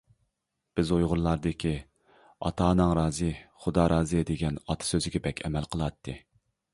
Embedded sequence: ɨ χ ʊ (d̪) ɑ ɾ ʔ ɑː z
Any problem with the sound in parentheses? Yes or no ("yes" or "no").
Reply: no